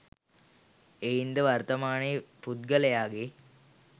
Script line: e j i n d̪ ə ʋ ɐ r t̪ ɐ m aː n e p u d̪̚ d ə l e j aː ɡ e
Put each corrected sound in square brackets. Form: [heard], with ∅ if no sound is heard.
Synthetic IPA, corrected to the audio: e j i n d̪ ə ʋ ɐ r t̪ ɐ m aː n e p u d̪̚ [ɡ] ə l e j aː ɡ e